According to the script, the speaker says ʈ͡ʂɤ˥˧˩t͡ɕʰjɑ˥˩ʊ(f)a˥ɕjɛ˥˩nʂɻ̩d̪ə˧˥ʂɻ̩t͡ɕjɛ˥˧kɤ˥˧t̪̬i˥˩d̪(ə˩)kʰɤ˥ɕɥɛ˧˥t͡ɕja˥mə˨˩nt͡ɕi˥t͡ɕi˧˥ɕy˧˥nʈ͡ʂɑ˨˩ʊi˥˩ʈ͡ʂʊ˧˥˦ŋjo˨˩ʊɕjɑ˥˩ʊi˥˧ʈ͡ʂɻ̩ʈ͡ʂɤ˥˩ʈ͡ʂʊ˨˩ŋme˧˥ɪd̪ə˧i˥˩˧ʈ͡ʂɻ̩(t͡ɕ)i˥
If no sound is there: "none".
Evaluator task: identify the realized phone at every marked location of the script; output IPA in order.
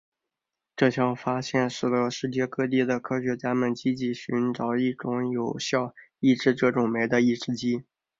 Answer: f, ə˩, t͡ɕ

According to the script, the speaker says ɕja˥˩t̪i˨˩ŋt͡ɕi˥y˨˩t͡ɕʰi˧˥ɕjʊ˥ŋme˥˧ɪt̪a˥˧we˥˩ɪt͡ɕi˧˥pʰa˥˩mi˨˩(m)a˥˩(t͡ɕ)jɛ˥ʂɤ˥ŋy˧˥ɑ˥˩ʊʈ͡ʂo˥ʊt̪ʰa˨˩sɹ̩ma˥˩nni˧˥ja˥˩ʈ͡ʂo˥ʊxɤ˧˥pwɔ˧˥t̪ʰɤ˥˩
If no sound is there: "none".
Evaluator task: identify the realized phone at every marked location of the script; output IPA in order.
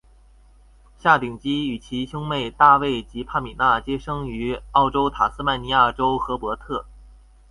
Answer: n, t͡ɕ

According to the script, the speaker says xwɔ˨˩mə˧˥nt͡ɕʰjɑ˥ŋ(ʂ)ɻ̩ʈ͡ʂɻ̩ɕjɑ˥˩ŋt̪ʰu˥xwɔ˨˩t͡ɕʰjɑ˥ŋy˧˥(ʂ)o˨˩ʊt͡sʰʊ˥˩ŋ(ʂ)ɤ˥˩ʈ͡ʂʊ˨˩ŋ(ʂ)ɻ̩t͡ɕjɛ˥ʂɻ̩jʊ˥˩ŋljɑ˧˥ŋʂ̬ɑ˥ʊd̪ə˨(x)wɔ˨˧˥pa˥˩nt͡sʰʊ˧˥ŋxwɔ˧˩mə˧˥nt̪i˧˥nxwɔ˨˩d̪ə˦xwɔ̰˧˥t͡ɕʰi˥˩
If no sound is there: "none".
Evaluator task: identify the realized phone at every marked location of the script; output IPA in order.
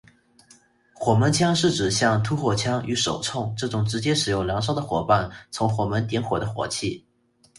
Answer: ʂ, ʂ, ʈ͡ʂ, ʈ͡ʂ, x

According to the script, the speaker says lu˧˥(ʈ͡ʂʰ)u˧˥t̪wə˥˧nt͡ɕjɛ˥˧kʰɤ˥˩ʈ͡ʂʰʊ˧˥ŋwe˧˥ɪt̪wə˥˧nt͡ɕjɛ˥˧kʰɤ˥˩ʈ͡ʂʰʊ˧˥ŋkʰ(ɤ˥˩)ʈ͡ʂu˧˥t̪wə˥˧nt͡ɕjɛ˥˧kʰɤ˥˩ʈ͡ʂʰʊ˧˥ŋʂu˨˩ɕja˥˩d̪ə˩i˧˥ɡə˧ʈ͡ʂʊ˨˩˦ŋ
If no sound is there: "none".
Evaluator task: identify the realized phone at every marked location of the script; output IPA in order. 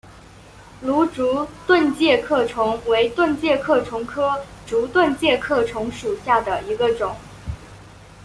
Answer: ʈ͡ʂ, ɤ˥

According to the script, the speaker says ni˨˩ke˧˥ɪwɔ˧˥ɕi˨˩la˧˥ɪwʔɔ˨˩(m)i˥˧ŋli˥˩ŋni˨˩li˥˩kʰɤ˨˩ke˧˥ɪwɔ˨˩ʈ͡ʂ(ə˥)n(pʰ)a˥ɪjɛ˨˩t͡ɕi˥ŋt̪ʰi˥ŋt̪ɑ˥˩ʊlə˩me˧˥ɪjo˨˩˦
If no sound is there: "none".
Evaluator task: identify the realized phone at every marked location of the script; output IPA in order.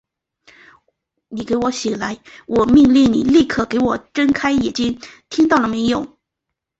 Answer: m, ə˥, kʰ

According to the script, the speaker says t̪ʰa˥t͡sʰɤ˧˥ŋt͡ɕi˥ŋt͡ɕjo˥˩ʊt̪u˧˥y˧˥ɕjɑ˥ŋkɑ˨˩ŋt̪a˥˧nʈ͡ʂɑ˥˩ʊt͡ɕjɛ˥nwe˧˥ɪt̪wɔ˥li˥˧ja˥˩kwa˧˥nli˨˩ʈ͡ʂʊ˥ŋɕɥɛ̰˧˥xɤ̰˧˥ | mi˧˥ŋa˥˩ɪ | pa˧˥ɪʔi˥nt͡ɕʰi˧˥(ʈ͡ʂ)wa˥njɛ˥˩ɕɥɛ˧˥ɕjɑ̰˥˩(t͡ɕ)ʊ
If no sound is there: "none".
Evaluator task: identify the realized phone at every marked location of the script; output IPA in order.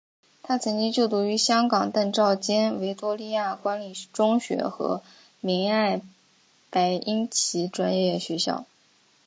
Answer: ʈ͡ʂ, none

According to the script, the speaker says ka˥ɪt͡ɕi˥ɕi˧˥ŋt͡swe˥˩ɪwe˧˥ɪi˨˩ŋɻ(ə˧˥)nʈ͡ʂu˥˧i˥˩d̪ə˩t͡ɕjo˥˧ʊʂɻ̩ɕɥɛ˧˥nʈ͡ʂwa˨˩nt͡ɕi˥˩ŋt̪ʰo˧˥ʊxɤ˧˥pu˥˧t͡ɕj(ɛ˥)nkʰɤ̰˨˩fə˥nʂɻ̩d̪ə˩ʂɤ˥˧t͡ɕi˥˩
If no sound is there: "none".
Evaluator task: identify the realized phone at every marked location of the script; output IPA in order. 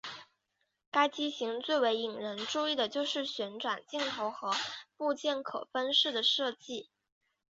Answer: ə˧˥, ɛ˥˩

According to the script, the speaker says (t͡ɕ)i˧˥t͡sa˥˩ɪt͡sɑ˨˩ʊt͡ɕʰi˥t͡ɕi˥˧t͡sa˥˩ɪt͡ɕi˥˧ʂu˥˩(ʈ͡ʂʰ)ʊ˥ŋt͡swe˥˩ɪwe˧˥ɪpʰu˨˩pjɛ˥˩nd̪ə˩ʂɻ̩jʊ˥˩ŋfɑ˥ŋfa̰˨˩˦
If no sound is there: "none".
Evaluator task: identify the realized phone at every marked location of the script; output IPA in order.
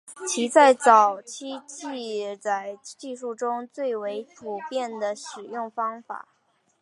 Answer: t͡ɕʰ, ʈ͡ʂ

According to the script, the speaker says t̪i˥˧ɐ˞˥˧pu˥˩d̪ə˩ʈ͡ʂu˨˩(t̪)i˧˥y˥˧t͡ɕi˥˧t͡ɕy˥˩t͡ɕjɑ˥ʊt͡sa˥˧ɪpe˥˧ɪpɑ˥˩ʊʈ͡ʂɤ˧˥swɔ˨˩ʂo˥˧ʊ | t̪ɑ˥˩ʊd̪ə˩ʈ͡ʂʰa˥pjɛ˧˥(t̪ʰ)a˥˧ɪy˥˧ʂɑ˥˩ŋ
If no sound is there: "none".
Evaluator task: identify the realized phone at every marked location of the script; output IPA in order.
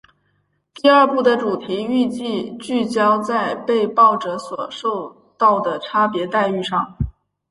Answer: t̪ʰ, t̪

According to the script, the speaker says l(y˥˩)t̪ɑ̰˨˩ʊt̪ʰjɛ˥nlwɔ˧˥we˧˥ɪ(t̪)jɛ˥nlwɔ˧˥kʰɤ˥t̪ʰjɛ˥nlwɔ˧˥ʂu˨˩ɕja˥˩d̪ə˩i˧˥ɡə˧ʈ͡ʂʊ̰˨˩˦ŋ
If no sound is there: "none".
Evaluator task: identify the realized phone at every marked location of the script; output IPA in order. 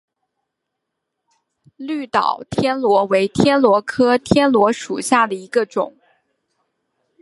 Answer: y˥˩, t̪ʰ

